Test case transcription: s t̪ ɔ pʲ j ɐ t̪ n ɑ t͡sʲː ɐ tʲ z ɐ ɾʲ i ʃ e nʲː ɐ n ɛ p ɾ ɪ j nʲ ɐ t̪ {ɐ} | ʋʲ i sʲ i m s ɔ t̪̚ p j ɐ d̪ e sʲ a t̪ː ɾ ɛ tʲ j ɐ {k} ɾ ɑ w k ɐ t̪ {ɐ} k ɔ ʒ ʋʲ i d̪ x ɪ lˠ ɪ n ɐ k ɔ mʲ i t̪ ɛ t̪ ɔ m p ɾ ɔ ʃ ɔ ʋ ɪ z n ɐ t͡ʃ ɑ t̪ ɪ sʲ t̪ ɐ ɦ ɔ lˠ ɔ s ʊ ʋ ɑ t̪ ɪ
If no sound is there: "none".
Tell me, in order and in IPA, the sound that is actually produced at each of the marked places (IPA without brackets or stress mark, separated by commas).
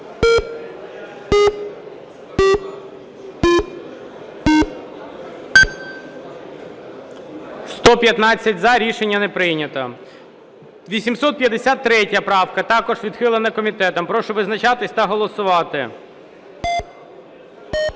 ɐ, p, ɑ